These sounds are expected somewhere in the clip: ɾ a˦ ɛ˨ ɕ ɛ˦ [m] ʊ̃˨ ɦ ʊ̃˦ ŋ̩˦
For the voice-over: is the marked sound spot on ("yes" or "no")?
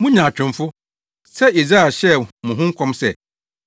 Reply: yes